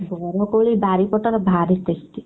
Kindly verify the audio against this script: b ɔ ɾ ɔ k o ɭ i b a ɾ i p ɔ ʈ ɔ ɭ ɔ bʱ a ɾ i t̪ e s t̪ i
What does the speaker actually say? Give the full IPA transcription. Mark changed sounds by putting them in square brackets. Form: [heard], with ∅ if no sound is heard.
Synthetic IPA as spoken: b ɔ ɾ ɔ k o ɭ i b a ɾ i p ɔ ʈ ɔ [ɾ] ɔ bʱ a ɾ i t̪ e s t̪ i

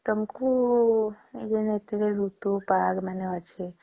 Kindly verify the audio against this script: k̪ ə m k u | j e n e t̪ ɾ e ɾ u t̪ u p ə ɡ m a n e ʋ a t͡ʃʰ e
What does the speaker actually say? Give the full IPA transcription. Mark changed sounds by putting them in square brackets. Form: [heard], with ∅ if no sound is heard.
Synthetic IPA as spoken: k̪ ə m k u | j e n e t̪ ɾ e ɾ u t̪ u p [a] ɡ m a n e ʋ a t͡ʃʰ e

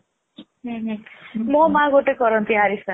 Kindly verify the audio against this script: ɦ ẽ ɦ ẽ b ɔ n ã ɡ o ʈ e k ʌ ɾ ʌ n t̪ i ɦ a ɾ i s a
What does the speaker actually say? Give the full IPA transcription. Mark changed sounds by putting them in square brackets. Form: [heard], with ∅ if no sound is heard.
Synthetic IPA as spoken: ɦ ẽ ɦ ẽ [m] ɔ [m] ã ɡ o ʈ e k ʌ ɾ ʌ n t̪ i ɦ a ɾ i s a

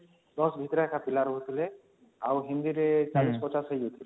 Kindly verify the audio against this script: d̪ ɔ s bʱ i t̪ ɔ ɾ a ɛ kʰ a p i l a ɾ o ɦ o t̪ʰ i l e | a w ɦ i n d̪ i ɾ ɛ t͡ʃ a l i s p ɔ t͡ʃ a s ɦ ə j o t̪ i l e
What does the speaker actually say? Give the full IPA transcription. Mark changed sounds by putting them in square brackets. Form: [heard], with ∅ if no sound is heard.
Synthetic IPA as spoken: d̪ ɔ s bʱ i t̪ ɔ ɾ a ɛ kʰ a p i l a ɾ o ɦ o t̪ʰ i l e | a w ɦ i n d̪ i ɾ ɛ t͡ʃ a l i s p ɔ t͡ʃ a s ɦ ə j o [t̪ʰ] i l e

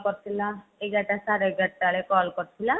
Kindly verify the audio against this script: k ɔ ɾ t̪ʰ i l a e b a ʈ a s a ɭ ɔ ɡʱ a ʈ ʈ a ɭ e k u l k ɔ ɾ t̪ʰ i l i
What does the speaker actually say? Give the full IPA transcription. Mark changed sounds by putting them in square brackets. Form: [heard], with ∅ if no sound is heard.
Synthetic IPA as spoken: k ɔ ɾ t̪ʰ i l a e [ɡ] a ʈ a s a [ɾ] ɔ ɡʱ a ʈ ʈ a ɭ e k [ɔ] l k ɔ ɾ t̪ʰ i l [a]

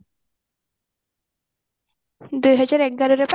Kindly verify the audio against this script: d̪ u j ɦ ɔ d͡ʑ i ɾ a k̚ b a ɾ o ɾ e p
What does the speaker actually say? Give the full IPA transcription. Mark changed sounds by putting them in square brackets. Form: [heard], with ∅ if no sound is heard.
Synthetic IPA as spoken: d̪ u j ɦ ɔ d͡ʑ [a] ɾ [ɛ] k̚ [ɡ] a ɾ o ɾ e p

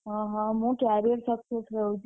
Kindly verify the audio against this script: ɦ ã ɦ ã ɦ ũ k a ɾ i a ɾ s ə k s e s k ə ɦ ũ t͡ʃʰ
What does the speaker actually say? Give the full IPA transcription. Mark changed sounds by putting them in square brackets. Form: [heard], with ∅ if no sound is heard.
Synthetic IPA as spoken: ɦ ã ɦ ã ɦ ũ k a ɾ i [ə] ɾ s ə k s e s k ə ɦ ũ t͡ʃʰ

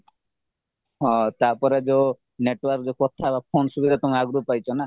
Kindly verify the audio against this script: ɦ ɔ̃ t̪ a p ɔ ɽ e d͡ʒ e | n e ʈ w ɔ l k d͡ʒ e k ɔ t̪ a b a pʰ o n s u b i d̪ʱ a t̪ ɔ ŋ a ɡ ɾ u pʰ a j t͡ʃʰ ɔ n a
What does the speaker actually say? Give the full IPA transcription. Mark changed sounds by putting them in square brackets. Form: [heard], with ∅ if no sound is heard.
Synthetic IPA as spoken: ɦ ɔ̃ t̪ a p ɔ [ɾ] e d͡ʒ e | n e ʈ w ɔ [ɾ] k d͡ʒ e k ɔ [t̪ʰ] a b a pʰ o n s u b i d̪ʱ a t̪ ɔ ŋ a ɡ ɾ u [p] a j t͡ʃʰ ɔ n a

